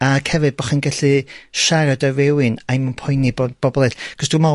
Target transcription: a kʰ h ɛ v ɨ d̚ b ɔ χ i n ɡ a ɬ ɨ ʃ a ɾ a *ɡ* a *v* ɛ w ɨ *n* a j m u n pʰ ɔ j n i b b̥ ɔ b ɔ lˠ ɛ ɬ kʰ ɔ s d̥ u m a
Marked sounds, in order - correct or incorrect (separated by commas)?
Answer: incorrect, correct, correct